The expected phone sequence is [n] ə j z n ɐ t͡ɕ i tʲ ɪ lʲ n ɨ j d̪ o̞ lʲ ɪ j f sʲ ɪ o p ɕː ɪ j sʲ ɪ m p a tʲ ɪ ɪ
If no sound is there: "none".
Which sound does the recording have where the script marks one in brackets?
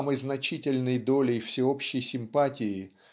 m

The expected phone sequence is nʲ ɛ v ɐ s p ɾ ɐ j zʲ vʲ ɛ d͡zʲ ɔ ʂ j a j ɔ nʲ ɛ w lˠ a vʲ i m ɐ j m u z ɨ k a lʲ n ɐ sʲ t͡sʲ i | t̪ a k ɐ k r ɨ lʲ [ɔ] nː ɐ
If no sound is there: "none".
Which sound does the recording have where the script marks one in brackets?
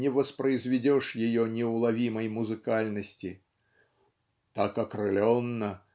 ɔ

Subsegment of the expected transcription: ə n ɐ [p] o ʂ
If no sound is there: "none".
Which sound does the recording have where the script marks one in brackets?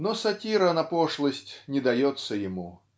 p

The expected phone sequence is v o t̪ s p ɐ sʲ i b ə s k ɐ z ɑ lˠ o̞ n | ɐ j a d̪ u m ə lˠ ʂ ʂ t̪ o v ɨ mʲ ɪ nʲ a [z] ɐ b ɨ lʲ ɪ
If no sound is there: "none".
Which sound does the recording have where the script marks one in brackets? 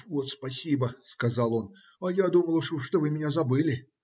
z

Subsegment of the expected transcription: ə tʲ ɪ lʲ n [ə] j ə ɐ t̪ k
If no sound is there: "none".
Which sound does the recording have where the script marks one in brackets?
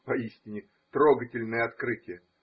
ə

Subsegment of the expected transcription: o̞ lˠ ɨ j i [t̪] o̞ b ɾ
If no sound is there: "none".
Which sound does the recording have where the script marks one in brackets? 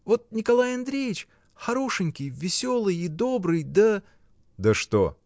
d̪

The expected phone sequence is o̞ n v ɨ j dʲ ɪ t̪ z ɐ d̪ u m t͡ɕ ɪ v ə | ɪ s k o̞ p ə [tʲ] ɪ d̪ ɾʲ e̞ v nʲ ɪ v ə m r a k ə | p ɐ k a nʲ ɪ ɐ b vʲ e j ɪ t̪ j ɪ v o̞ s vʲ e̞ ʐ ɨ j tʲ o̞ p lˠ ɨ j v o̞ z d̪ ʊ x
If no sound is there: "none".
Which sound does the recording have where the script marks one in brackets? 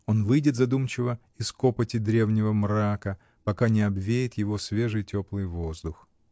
tʲ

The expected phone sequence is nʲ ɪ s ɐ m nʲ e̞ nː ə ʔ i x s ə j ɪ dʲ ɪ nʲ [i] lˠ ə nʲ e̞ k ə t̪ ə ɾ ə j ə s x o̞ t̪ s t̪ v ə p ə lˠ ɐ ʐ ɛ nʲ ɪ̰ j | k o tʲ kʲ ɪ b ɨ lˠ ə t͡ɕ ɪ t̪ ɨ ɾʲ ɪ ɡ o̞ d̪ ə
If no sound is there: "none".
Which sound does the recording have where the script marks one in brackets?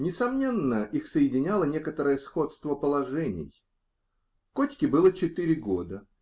a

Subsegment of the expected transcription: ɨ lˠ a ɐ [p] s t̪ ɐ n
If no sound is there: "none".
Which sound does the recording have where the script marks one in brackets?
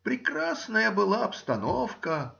p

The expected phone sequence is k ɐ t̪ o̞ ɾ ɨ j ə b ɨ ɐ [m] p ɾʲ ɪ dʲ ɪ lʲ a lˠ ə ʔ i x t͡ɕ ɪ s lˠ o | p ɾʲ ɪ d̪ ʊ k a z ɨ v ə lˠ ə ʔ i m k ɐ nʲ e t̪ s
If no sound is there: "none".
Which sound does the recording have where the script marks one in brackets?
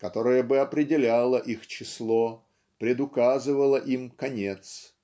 none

